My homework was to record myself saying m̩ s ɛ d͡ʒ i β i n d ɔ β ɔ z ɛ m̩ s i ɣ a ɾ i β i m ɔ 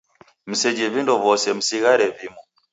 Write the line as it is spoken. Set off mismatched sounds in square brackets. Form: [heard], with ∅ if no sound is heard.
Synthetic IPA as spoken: m̩ s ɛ d͡ʒ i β i n d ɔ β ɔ [s] ɛ m̩ s i ɣ a ɾ [ɛ] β i m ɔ